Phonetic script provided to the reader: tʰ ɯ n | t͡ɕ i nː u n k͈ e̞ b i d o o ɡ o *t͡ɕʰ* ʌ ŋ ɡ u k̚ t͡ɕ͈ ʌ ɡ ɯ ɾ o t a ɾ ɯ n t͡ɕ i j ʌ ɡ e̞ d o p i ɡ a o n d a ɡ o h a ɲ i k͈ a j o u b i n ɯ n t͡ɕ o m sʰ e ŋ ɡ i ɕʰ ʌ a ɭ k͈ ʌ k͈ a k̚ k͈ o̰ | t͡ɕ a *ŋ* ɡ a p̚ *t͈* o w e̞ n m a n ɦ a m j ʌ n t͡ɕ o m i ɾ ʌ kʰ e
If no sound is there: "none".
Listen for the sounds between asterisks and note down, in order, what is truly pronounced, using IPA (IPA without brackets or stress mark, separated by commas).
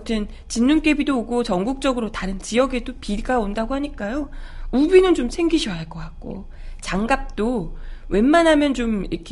t͡ɕ, ŋ, t͈